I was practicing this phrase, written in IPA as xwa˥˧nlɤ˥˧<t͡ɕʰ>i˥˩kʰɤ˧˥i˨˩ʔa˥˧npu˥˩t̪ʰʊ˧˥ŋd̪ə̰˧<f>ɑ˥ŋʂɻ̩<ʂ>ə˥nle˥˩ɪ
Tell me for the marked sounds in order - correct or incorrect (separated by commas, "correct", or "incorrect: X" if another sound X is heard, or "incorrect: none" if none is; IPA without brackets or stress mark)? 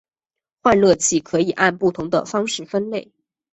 correct, correct, incorrect: f